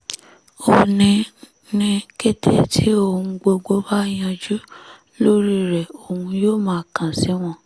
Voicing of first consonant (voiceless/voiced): voiced